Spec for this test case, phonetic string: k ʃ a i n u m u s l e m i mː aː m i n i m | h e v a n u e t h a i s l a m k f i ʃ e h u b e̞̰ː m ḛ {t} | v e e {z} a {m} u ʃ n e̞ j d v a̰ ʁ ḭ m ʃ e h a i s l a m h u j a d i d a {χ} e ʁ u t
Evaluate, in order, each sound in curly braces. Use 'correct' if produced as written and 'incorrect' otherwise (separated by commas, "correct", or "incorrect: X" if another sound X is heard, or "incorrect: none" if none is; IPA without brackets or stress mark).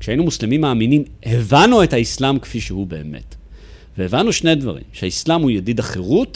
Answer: correct, incorrect: v, incorrect: n, correct